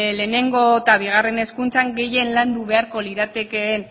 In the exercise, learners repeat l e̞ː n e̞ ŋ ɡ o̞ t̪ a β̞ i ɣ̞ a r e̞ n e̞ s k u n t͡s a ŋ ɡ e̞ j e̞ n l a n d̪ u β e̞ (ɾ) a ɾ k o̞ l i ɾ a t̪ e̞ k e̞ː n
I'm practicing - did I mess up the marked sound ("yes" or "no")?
yes